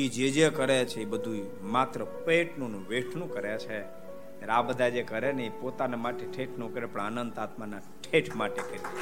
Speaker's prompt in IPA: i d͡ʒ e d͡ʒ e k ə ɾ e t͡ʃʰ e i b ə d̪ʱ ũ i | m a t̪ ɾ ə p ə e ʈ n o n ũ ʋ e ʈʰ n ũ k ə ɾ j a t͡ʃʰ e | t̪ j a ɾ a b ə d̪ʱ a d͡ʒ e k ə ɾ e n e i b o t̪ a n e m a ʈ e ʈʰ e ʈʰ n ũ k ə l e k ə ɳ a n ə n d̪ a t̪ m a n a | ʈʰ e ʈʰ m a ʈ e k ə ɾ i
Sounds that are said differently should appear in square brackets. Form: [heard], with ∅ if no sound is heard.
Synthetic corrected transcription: i d͡ʒ e d͡ʒ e k ə ɾ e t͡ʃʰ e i b ə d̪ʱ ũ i | m a t̪ ɾ ə p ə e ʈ n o n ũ ʋ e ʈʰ n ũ k ə ɾ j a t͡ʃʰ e | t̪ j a ɾ a b ə d̪ʱ a d͡ʒ e k ə ɾ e n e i [p] o t̪ a n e m a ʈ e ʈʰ e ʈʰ n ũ k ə [ɾ] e [p] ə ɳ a n ə n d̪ a t̪ m a n a | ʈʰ e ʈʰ m a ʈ e k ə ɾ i